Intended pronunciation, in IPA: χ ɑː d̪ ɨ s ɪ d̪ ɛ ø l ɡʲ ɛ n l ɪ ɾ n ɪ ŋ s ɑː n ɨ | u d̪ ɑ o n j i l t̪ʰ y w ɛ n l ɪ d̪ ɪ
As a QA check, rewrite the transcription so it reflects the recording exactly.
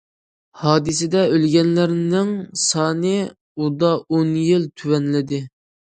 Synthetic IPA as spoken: h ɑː d̪ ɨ s ɪ d̪ ɛ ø l ɡʲ ɛ n l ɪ ɾ n ɪ ŋ s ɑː n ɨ | u d̪ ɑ o n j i l t̪ʰ y w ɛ n l ɪ d̪ ɪ